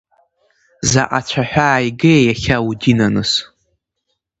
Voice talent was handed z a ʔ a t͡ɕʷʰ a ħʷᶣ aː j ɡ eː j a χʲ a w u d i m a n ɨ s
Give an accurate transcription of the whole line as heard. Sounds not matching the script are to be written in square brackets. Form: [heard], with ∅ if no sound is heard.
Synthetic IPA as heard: z a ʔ a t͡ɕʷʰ a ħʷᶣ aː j ɡ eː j a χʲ a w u d i [n] a n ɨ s